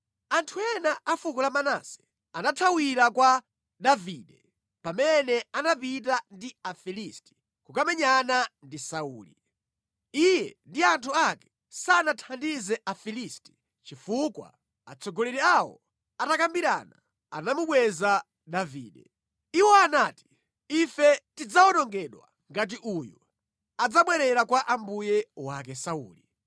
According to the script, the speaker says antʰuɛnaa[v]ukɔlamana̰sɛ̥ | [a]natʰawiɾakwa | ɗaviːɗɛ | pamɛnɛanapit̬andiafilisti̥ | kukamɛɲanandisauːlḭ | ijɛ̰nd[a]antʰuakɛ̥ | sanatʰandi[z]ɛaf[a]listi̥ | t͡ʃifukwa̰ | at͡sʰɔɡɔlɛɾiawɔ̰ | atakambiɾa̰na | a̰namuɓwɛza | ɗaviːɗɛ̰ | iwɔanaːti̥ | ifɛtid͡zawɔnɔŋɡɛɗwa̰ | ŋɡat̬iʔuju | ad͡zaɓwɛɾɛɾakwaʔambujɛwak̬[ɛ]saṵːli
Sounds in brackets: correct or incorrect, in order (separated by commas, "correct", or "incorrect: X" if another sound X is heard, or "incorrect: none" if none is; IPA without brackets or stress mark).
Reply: incorrect: f, correct, incorrect: i, correct, incorrect: i, correct